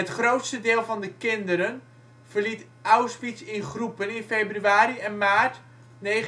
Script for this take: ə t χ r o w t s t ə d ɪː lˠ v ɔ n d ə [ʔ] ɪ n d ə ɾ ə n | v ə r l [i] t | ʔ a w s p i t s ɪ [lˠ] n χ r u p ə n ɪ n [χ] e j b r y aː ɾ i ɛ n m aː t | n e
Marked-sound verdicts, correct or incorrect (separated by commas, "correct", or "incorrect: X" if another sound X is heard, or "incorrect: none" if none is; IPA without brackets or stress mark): incorrect: k, correct, incorrect: none, incorrect: f